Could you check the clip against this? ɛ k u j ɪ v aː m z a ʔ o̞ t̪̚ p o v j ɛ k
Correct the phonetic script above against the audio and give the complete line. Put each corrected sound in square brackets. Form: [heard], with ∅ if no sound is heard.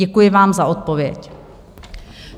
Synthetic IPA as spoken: ɛ k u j ɪ v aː m z a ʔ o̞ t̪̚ p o v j ɛ [c]